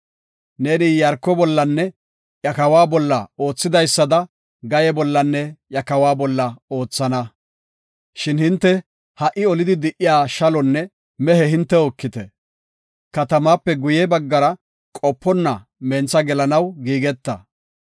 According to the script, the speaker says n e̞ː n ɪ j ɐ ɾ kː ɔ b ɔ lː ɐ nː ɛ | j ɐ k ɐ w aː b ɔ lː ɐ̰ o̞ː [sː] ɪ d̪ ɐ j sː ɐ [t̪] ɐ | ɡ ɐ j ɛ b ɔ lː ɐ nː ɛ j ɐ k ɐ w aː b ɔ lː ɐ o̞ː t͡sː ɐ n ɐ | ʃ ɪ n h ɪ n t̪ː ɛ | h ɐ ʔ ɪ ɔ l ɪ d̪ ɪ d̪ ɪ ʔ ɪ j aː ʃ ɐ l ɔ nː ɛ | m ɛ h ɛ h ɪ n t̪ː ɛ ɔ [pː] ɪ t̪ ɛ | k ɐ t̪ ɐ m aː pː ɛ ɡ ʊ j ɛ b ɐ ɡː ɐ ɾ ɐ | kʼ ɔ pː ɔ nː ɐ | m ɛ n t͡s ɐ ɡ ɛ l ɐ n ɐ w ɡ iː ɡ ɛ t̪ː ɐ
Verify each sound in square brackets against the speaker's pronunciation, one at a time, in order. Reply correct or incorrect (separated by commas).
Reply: incorrect, incorrect, incorrect